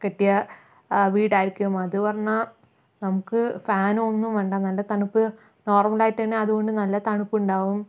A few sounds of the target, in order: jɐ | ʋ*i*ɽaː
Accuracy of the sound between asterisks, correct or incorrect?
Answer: incorrect